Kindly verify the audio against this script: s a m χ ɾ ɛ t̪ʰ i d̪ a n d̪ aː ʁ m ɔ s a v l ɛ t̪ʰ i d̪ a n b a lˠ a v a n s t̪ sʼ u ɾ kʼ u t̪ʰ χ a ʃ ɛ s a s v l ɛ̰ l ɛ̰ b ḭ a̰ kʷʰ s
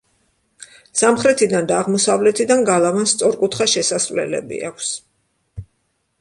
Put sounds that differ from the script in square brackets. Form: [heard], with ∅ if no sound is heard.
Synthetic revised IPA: s a m χ ɾ ɛ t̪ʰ i d̪ a n d̪ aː ʁ m ɔ s a v l ɛ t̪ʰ i d̪ a n [ɡ] a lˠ a v a n s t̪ sʼ [ɔ] ɾ kʼ u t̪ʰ χ a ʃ ɛ s a s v l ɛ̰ l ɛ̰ b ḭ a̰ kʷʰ s